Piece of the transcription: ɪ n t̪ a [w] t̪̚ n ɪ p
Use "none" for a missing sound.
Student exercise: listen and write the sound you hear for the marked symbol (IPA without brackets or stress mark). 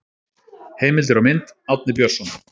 w